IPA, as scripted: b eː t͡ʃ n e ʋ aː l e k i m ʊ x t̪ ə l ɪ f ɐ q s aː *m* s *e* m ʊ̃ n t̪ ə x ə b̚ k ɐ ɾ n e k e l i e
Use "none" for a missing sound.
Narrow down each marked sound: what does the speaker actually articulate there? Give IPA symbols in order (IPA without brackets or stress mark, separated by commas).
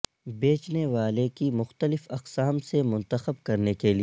m, e